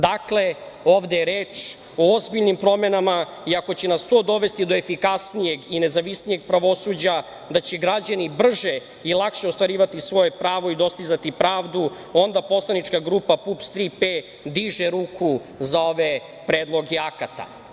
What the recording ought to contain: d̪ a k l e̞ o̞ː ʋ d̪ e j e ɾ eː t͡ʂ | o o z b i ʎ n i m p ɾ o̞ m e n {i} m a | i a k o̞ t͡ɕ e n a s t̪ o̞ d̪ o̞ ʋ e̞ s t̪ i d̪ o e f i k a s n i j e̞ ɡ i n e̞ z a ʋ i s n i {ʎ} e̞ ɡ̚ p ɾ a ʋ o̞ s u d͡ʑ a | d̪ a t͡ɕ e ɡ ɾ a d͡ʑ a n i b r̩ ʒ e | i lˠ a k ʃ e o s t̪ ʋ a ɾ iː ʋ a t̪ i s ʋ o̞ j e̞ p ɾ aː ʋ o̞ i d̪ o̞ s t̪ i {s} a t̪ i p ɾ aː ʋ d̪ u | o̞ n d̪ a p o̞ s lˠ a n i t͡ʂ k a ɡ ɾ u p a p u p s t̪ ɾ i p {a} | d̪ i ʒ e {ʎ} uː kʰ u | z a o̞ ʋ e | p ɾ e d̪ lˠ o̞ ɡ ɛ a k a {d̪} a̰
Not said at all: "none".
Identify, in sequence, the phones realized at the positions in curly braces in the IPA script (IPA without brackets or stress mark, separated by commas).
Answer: a, j, z, e, ɾ, t̪